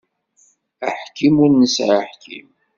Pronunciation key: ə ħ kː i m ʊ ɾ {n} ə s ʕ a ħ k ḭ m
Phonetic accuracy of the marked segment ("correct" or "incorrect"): correct